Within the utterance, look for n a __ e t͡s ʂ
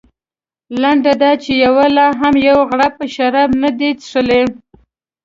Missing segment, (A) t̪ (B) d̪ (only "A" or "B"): B